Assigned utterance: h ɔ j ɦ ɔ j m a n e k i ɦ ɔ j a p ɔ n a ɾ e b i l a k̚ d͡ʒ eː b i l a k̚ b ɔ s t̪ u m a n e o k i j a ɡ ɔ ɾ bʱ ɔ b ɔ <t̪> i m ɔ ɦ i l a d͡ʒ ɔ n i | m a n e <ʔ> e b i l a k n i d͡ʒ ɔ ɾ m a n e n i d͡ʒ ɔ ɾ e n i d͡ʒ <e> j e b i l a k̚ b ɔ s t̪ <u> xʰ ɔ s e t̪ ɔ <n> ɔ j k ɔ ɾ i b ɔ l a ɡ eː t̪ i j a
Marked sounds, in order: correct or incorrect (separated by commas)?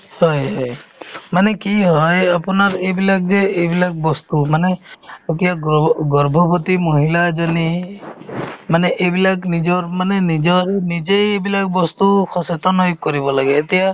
correct, correct, correct, correct, correct